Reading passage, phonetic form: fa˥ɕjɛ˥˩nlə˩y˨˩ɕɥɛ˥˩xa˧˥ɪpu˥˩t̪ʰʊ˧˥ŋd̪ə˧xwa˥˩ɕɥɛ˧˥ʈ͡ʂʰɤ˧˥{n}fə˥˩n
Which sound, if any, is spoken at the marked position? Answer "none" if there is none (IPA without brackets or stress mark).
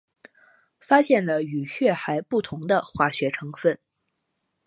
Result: ŋ